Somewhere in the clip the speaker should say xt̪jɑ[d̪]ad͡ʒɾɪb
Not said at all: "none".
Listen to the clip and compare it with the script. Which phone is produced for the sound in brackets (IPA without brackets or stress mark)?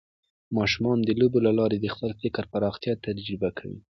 t̪